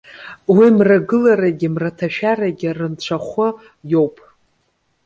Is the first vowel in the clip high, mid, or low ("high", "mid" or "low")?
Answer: high